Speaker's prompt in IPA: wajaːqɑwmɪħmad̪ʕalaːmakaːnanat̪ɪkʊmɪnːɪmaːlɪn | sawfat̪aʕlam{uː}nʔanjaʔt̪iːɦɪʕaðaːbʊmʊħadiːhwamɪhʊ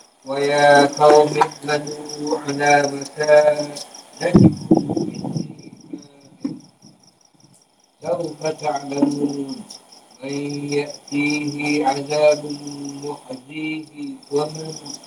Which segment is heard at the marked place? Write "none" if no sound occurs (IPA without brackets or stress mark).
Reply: uː